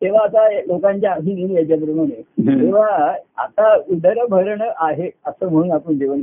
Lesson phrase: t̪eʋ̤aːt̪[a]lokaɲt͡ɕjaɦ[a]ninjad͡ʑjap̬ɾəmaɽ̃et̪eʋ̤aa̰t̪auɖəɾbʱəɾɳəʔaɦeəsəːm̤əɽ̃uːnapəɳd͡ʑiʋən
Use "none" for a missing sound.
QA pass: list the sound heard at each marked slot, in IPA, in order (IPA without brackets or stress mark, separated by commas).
a, i